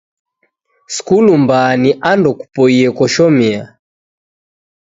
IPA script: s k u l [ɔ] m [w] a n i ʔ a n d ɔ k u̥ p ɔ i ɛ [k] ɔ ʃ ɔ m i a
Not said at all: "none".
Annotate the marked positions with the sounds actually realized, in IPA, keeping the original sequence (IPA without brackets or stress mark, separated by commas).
u, b, k